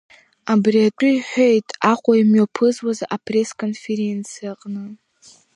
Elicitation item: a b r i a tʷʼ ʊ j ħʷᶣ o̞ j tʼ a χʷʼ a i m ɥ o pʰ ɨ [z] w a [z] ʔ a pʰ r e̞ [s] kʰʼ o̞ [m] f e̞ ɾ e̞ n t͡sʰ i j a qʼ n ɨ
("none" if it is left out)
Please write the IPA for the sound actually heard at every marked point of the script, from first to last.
z, z, s, n

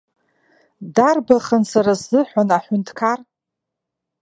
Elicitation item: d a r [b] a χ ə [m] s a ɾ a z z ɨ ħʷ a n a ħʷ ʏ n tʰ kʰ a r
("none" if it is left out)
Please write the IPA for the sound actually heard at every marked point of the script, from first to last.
b, n

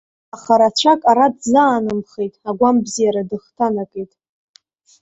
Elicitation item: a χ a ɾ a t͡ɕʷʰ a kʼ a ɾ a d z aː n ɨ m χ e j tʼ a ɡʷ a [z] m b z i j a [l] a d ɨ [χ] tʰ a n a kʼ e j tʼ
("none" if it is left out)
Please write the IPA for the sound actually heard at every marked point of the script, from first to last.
none, ɾ, χ

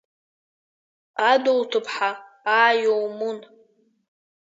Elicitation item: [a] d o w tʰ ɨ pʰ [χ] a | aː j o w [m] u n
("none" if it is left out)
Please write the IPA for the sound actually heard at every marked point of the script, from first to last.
a, ħ, m

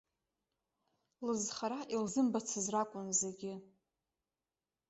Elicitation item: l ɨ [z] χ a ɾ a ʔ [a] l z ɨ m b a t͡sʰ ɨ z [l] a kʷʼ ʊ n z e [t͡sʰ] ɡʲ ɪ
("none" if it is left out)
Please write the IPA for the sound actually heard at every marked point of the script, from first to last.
z, i, r, none

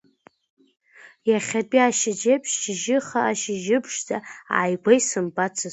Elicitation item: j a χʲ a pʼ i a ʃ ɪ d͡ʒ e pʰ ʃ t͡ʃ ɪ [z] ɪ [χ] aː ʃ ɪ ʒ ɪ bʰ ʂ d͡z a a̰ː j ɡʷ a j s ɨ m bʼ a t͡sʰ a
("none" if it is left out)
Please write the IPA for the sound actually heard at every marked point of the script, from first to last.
ʒ, χ

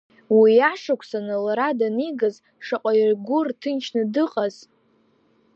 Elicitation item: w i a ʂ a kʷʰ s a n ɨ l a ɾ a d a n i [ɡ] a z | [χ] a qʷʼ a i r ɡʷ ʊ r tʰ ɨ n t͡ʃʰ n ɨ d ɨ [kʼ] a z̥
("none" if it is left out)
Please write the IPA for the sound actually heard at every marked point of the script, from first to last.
ɡ, ʂ, qʼ

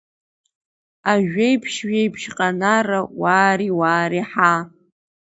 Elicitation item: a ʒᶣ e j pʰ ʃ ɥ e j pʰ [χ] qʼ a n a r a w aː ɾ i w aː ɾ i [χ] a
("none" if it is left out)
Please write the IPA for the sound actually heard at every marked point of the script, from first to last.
ʃ, ħ

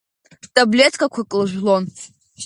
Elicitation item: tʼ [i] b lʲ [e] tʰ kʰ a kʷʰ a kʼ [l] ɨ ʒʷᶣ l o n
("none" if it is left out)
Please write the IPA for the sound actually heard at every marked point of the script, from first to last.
a, e, l

